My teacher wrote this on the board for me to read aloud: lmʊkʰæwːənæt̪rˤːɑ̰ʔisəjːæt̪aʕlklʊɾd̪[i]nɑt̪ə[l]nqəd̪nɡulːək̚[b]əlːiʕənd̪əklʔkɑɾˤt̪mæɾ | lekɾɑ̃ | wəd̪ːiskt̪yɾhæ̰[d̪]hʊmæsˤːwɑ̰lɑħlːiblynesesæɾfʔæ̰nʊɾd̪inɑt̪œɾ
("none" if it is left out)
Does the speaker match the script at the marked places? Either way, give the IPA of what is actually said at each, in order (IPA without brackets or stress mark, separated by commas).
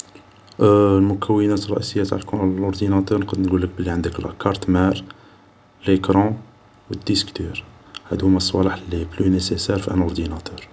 i, ɾ, b, d̪